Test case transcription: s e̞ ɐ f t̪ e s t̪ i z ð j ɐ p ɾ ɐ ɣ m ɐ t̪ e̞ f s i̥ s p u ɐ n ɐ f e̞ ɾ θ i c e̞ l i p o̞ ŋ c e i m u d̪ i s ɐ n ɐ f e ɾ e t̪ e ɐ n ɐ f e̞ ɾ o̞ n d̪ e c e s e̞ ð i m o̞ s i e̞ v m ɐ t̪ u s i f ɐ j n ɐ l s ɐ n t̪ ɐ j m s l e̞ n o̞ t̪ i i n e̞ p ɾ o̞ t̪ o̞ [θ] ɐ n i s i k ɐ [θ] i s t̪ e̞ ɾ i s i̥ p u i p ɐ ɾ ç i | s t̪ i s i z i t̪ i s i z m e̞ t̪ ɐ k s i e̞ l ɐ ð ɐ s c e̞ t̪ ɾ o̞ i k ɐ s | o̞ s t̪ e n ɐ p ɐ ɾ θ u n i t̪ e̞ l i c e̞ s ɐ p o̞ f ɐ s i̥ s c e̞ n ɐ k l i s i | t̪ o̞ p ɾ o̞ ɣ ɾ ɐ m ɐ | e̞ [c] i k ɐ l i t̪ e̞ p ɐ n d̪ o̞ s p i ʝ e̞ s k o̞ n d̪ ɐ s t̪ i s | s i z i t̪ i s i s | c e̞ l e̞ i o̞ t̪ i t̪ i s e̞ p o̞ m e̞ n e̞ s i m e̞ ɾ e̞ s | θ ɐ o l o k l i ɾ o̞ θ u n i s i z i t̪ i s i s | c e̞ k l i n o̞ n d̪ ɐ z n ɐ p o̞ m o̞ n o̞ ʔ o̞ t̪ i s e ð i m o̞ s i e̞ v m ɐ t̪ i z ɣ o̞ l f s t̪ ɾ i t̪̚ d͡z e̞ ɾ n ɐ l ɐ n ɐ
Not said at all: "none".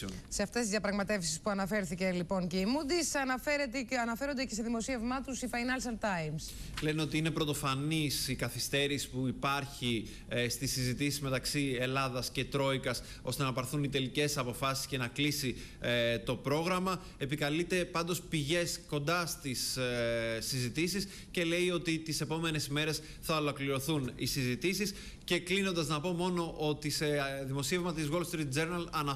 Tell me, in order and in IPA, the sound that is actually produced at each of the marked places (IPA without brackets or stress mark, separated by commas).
f, θ, p